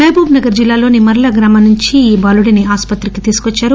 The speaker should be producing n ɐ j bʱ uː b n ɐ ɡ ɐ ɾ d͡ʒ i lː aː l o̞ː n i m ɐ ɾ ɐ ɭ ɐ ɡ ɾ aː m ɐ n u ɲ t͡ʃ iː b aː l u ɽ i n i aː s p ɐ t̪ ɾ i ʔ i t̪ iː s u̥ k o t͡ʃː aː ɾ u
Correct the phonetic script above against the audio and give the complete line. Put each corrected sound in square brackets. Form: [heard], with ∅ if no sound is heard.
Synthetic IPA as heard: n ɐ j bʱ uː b n ɐ ɡ ɐ ɾ d͡ʒ i lː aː l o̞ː n i m ɐ ɾ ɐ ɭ ɐ ɡ ɾ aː m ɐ n u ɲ t͡ʃ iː b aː l u ɽ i n i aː s p ɐ t̪ ɾ i [k] i t̪ iː s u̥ k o t͡ʃː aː ɾ u